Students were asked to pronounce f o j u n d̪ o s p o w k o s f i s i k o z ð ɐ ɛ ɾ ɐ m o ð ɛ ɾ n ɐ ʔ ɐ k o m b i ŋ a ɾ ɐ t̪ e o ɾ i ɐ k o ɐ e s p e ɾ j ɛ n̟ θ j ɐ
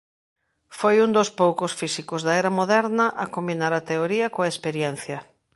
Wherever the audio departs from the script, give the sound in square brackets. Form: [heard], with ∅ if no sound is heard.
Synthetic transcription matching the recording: f o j u n d̪ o s p o w k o s f i s i k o z ð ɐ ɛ ɾ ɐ m o ð ɛ ɾ n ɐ ʔ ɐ k o m b i [n] a ɾ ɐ t̪ e o ɾ i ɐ k o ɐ e s p e ɾ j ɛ n̟ θ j ɐ